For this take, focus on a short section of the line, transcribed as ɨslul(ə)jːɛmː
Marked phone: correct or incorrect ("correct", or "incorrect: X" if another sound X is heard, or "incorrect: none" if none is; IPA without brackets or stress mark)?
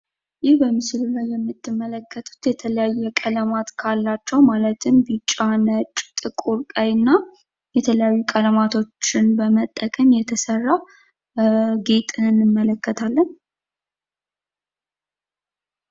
incorrect: a